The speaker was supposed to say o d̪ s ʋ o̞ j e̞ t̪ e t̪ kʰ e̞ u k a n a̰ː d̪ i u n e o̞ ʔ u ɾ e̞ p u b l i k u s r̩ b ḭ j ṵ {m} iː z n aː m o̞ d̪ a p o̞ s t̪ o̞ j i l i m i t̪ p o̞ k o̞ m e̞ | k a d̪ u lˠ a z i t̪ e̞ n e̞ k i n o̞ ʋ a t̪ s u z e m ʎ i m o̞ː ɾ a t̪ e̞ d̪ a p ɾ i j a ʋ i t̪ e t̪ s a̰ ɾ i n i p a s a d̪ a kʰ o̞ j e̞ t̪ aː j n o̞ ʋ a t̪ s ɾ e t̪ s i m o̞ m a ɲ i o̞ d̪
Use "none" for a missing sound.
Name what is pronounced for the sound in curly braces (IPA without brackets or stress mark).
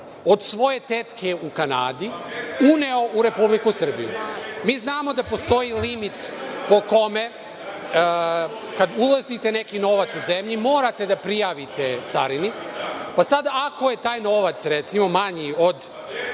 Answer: m